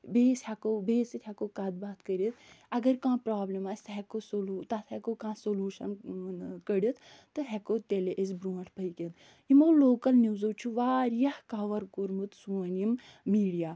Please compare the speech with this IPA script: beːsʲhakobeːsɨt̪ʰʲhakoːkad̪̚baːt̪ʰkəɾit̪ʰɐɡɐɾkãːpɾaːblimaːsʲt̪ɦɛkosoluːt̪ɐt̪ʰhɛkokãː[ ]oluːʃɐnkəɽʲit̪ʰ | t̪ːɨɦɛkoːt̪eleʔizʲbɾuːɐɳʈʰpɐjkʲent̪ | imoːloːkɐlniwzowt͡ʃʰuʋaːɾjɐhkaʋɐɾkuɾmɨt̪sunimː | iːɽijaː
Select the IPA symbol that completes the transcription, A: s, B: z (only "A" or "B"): A